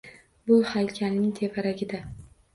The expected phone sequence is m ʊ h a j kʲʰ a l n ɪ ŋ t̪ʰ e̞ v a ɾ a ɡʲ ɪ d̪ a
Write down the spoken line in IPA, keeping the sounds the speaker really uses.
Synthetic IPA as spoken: b ʊ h a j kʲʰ a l n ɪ ŋ t̪ʰ e̞ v a ɾ a ɡʲ ɪ d̪ a